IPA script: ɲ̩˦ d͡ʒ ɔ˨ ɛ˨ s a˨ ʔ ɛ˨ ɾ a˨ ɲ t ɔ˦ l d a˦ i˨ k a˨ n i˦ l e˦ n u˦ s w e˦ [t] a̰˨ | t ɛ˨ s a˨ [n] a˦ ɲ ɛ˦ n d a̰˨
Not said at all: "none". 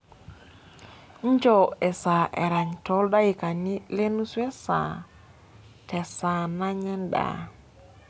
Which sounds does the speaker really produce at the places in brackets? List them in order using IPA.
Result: s, n

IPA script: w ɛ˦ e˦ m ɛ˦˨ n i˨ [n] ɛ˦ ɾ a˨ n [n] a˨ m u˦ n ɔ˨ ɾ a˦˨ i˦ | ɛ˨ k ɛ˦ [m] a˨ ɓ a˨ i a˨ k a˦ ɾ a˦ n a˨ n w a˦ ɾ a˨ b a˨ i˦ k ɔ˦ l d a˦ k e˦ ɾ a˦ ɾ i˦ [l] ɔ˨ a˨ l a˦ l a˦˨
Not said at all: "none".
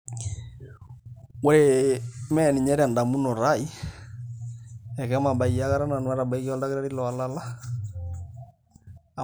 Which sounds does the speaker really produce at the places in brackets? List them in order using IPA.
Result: ɲ, d, m, l

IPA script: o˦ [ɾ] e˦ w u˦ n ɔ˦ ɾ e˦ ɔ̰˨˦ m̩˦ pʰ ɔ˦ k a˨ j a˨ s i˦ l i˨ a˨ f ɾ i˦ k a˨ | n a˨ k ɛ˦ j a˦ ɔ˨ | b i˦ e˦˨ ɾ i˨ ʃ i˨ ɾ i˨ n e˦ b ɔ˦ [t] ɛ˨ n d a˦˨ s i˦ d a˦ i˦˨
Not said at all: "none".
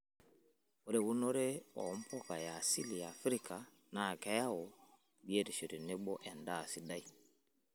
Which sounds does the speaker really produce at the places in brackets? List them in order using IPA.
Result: ɾ, ʔ

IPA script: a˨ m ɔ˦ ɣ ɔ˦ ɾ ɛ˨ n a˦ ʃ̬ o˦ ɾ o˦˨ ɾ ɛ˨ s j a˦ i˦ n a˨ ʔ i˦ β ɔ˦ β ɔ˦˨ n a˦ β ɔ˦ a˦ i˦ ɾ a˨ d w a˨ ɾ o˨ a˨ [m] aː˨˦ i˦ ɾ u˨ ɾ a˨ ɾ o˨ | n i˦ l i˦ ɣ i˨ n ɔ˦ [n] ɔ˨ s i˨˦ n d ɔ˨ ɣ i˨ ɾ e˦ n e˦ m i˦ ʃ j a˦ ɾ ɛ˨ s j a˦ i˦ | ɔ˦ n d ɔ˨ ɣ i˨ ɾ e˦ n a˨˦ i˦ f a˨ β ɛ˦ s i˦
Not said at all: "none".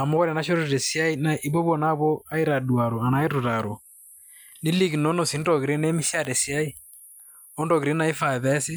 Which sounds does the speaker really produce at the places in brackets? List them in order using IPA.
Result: n, n

